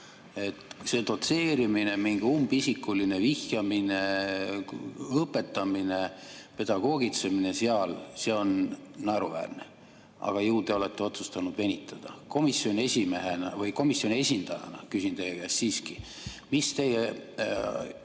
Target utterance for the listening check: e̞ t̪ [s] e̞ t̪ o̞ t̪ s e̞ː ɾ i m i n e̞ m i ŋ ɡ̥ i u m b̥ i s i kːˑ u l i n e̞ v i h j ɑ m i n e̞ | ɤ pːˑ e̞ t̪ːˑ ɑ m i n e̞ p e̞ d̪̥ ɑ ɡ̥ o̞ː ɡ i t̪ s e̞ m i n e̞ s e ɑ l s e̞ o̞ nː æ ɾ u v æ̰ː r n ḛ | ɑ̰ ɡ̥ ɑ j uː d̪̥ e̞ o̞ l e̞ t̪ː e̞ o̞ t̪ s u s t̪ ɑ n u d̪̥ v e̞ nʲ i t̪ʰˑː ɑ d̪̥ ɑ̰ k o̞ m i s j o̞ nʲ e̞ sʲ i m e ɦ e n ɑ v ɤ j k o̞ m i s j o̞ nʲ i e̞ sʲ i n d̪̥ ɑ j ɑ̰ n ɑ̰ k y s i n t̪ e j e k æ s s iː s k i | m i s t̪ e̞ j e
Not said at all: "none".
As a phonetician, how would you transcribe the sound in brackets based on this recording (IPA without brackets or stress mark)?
s